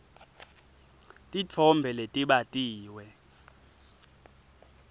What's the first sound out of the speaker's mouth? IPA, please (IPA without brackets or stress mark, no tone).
tʼ